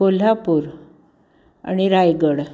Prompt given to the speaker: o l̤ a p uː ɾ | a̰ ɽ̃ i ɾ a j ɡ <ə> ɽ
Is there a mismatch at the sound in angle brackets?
no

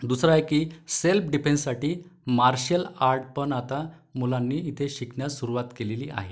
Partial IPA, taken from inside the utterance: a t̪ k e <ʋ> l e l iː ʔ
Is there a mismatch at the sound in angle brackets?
yes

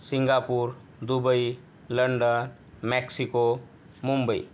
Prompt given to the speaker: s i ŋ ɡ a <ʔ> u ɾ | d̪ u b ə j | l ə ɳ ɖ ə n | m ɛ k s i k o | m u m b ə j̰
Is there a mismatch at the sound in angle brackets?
yes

